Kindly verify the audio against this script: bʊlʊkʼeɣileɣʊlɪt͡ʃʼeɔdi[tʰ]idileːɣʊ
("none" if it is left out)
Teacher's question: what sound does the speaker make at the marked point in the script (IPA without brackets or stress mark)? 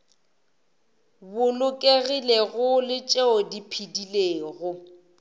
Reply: pʰ